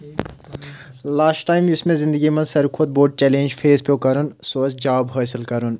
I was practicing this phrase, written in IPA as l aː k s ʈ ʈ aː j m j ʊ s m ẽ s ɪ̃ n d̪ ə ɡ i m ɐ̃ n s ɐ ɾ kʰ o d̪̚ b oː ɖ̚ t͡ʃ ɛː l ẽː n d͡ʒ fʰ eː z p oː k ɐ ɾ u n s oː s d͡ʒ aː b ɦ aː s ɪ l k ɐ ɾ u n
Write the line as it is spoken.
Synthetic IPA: l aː s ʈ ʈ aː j m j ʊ s m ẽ z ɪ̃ n d̪ ə ɡ i m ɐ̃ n s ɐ ɾ kʰ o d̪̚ b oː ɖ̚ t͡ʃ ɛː l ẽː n d͡ʒ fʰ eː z p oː k ɐ ɾ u n s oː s d͡ʒ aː b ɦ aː s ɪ l k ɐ ɾ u n